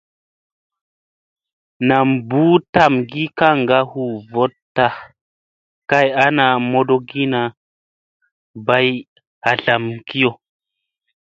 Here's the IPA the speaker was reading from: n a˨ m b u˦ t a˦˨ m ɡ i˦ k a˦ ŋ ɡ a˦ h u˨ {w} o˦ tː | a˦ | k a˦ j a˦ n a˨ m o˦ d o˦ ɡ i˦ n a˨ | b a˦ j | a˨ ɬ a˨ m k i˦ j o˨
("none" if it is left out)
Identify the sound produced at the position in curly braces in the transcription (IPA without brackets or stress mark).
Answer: v